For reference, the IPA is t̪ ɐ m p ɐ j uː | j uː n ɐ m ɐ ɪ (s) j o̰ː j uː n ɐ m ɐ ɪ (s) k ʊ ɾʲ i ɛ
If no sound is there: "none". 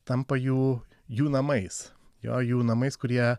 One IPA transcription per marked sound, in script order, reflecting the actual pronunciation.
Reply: s, s

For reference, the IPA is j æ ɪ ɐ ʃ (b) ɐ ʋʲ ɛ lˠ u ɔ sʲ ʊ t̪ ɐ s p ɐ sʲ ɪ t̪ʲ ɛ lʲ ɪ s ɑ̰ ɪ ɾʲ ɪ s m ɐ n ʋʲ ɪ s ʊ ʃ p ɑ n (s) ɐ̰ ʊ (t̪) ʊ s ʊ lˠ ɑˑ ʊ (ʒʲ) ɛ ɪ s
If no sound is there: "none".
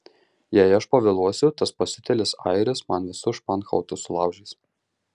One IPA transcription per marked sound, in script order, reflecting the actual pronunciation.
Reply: p, x, t̪, ʒʲ

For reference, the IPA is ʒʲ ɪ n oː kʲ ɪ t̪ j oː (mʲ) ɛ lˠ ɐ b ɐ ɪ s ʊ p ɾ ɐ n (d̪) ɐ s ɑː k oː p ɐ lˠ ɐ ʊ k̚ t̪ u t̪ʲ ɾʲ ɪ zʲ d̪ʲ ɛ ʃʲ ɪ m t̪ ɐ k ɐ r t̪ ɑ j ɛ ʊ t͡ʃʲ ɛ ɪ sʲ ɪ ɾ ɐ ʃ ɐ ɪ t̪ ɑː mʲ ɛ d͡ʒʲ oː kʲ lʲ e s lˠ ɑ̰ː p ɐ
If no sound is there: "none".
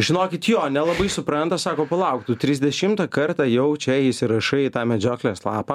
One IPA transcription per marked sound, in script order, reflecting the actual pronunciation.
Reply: nʲ, t̪

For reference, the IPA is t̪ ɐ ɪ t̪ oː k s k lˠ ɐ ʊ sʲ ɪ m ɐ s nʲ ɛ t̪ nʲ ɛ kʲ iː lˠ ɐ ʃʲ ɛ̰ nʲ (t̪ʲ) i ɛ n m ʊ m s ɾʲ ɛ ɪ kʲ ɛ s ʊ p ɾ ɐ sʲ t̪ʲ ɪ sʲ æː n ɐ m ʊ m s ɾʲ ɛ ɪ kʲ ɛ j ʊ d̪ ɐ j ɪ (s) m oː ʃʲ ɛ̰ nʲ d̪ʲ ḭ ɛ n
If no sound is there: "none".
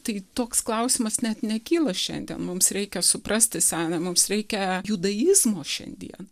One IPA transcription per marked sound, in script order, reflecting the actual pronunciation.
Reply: d̪ʲ, z

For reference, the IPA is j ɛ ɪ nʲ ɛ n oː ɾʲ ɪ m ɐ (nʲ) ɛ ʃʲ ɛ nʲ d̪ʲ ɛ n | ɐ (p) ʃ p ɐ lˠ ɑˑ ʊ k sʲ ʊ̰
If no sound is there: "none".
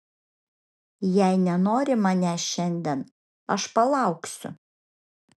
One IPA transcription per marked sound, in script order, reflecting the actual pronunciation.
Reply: nʲ, none

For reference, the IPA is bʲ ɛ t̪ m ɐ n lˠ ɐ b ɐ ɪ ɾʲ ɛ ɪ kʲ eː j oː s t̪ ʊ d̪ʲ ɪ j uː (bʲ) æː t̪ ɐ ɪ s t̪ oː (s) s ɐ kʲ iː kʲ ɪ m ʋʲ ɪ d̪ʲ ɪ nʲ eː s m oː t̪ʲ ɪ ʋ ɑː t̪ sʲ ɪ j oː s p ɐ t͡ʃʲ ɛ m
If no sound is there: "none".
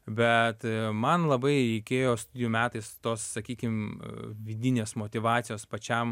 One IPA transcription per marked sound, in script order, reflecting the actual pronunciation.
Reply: mʲ, s

